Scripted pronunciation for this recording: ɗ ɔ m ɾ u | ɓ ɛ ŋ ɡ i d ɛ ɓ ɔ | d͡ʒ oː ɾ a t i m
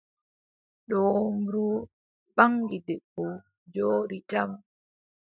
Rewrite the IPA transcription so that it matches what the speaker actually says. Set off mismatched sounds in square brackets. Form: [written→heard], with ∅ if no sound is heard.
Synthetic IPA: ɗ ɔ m ɾ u | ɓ [ɛ→a] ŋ ɡ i d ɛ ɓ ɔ | d͡ʒ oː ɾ [a→i] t [i→a] m